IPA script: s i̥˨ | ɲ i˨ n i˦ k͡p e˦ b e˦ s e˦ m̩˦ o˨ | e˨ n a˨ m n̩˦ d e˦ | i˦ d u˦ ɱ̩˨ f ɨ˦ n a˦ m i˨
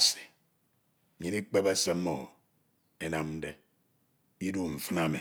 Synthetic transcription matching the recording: s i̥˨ | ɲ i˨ n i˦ k͡p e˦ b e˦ s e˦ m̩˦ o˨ | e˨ n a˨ m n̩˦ d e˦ | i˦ d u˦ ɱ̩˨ f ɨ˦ n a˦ m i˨